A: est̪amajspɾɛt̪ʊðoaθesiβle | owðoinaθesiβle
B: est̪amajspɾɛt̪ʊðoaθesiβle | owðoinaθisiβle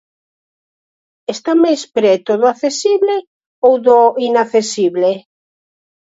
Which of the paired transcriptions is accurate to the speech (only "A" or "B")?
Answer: A